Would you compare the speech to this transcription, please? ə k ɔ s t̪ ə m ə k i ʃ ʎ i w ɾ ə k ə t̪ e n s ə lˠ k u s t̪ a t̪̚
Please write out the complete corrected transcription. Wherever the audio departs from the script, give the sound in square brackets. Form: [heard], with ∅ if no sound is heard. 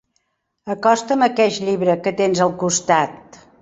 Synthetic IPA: ə k ɔ s t̪ ə m ə k [ɛ] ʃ ʎ i [β] ɾ ə k ə t̪ e n [z] ə lˠ k u s t̪ a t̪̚